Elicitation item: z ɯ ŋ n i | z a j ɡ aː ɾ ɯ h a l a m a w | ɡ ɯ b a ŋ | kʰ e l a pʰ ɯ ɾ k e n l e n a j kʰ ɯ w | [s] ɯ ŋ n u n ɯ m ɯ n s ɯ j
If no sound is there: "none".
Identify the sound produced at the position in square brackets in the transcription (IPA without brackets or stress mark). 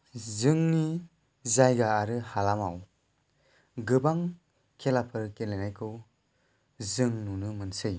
z